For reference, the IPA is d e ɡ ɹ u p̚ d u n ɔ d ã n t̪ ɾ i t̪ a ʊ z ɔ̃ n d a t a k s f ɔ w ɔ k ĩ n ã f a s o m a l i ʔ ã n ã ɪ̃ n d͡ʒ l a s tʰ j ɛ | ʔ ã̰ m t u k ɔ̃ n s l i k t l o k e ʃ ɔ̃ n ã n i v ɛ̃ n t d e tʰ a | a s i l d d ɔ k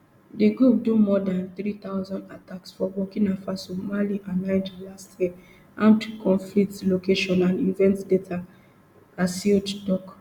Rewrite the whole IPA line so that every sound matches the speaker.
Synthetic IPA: d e ɡ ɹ u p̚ d u m ɔ d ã n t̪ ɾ i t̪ a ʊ z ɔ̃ n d a t a k s f ɔ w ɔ k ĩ n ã f a s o m a l i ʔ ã n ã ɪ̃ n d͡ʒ l a s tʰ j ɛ | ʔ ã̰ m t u k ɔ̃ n f l i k t l o k e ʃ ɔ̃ n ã n i v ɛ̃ n t d e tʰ a | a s i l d d ɔ k